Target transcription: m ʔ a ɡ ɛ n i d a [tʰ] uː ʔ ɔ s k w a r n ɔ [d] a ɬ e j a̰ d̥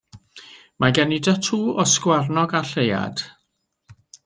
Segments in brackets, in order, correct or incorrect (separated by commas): correct, incorrect